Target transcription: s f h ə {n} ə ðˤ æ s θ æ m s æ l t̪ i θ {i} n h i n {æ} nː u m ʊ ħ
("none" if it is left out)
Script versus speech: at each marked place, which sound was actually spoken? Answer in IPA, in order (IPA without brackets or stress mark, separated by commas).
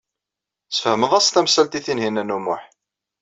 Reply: m, i, æ